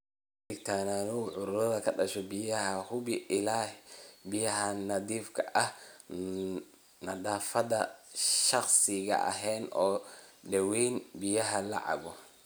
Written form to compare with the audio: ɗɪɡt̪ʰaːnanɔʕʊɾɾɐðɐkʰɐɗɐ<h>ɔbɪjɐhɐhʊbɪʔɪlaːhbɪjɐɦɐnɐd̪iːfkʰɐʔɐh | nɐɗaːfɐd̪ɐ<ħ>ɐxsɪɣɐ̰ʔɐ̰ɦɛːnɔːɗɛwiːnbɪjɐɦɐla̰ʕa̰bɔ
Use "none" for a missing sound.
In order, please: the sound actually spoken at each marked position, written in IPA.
ʃ, ʃ

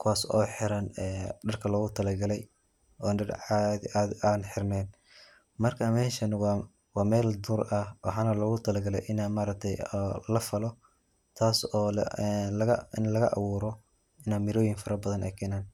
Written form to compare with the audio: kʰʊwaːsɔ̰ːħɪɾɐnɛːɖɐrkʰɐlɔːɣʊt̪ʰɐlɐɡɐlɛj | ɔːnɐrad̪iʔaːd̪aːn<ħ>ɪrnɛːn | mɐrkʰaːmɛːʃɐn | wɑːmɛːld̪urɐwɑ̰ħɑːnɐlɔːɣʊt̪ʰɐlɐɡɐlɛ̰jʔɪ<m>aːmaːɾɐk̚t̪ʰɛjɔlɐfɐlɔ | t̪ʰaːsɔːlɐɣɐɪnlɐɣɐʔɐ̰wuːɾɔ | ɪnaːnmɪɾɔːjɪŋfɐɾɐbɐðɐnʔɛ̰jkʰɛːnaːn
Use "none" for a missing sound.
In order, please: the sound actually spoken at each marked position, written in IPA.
ħ, n

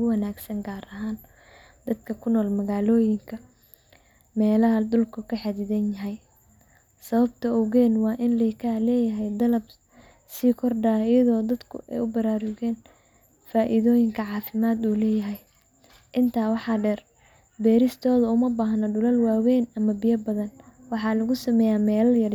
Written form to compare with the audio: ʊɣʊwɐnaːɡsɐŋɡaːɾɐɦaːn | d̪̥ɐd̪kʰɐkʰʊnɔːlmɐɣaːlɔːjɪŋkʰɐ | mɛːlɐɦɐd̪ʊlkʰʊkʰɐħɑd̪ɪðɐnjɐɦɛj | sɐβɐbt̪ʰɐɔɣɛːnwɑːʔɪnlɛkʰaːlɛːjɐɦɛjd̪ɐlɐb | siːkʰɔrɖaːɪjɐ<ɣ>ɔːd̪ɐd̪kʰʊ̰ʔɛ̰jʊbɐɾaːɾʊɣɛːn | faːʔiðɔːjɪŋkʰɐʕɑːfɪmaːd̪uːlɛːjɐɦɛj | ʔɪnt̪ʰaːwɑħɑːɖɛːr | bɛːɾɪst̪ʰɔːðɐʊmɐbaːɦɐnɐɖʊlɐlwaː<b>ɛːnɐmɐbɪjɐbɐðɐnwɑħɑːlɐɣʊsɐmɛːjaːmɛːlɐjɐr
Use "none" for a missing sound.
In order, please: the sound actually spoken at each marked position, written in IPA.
ð, w

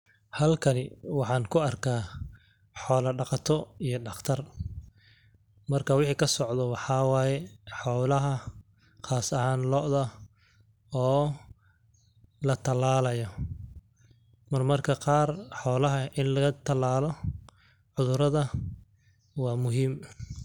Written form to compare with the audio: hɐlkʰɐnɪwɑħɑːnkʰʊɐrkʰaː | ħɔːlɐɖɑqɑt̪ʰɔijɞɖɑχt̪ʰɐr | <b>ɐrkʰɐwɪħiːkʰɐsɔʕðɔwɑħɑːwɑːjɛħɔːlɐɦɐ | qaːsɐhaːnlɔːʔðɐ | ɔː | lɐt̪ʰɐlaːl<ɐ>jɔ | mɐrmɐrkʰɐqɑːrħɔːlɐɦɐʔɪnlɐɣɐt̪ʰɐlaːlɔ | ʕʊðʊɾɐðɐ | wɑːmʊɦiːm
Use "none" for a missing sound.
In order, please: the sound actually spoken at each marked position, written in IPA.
m, ɐ

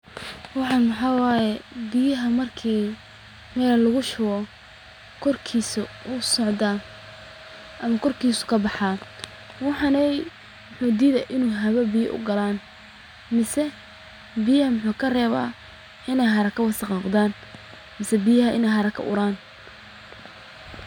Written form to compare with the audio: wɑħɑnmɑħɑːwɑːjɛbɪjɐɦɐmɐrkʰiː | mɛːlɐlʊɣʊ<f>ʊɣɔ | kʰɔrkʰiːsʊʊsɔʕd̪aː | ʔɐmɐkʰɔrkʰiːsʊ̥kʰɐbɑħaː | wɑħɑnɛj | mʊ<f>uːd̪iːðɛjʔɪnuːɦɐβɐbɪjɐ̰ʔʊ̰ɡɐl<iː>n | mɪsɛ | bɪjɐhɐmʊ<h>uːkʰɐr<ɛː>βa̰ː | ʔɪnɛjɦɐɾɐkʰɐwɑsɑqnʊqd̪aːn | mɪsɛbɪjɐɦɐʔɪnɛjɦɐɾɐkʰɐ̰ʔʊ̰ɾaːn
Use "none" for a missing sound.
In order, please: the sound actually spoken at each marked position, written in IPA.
ʃ, ħ, aː, ħ, ɛː

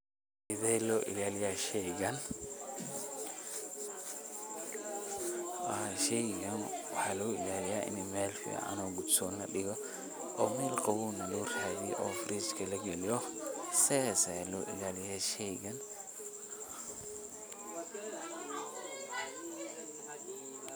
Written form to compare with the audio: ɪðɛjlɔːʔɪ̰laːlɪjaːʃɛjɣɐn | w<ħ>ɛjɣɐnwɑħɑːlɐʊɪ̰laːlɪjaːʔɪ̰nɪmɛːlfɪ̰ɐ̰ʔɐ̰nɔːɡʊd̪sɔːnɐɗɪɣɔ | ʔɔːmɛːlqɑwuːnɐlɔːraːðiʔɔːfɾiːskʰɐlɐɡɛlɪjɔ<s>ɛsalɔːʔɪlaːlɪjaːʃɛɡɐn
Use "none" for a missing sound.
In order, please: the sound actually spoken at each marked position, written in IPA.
ʃ, s

